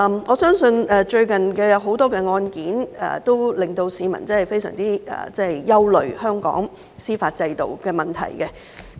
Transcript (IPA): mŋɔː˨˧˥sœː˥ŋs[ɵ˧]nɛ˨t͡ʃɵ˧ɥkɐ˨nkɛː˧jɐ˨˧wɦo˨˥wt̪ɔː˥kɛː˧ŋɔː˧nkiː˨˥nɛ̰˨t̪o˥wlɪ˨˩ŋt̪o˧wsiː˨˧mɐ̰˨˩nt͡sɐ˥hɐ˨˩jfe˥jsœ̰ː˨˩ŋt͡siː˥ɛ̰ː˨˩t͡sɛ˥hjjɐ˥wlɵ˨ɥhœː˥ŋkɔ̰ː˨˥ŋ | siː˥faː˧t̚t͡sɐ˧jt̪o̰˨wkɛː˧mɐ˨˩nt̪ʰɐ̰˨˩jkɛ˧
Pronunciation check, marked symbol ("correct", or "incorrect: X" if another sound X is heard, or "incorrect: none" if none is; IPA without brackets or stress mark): correct